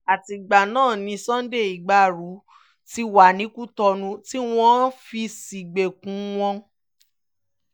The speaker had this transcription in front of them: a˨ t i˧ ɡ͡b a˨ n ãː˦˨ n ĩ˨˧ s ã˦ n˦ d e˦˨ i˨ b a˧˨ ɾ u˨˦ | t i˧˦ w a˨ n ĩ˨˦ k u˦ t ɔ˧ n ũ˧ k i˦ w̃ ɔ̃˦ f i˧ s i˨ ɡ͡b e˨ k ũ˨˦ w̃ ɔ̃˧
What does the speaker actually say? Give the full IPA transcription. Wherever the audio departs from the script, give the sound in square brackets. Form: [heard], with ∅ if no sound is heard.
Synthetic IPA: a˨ t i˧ ɡ͡b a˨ n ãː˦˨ n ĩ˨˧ s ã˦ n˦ d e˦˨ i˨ [ɡ͡b] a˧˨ ɾ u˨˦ | t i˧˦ w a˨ n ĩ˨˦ k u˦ t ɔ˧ n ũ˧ [t] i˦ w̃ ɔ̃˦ f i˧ s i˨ ɡ͡b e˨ k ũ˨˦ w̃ ɔ̃˧